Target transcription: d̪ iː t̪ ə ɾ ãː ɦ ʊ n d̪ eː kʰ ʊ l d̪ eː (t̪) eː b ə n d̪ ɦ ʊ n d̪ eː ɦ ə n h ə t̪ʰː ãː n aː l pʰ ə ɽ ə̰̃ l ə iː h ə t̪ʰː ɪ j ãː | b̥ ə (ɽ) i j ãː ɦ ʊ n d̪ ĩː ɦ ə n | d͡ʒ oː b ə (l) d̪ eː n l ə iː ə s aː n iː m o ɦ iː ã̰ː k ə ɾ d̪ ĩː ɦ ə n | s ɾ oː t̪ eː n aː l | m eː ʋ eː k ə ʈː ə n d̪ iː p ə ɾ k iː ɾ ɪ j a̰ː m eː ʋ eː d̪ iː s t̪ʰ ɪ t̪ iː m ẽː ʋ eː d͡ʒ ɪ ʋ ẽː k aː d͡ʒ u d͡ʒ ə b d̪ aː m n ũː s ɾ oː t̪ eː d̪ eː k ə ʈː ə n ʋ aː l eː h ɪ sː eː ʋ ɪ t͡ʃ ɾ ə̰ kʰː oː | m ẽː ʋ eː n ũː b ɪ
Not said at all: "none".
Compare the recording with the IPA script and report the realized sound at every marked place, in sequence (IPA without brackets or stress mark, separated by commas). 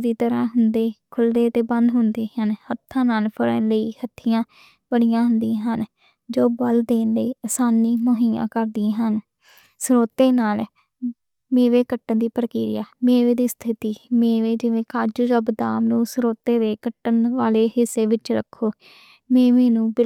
t̪, ɽ, l